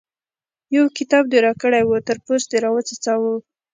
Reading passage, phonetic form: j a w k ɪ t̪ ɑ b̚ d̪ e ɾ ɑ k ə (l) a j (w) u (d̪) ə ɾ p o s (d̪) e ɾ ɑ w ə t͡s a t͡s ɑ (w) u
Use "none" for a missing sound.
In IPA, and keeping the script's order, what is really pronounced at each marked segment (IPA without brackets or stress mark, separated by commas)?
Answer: ɽ, w, t̪, d̪, w